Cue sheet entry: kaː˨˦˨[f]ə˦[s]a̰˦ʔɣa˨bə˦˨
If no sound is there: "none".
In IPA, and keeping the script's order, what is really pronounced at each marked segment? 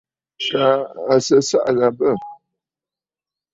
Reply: s, s

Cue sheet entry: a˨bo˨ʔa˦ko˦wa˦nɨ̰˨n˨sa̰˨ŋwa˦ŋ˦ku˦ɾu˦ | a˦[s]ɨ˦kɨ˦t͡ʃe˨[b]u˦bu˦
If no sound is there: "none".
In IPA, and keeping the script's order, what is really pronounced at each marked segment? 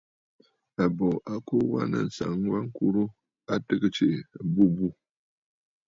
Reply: t, b

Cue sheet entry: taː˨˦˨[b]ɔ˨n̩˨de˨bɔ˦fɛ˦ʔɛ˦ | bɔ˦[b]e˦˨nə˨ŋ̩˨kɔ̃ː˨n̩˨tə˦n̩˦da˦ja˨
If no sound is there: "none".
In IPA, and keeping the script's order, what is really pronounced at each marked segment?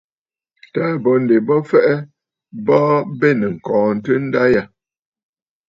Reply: b, b

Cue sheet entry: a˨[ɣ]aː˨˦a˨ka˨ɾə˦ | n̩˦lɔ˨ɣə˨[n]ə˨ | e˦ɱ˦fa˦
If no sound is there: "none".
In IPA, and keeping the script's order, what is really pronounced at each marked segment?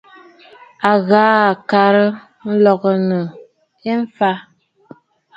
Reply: ɣ, n

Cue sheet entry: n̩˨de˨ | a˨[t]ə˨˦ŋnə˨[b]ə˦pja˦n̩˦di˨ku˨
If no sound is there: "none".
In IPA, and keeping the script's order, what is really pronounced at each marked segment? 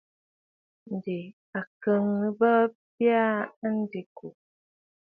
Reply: k, b

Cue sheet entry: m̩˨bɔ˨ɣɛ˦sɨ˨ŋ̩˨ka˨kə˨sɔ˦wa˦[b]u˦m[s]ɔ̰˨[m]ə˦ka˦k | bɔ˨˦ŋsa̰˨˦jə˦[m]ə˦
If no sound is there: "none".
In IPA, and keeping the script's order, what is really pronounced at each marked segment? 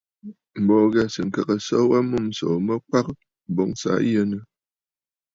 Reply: m, s, m, n

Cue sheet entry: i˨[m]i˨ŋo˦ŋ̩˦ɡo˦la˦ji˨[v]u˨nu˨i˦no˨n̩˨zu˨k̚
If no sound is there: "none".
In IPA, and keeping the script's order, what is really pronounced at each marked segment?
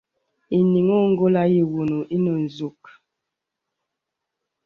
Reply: n, w

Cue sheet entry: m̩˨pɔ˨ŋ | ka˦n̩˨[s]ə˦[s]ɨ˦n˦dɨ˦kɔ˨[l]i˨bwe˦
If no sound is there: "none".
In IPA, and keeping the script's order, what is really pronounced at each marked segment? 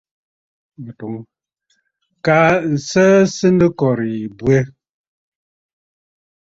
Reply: s, s, ɾ

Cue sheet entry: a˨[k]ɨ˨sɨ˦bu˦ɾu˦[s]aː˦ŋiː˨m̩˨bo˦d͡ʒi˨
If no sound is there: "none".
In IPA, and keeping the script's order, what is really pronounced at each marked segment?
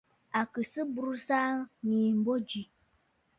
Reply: k, s

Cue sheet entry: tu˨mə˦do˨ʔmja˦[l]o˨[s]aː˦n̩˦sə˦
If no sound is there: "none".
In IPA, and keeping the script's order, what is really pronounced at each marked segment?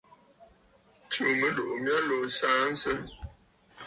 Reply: l, s

